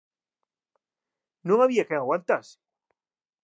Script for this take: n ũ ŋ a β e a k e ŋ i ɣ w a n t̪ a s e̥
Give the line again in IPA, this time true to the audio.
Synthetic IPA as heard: n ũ ŋ a β i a k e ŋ a ɣ w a n t̪ a s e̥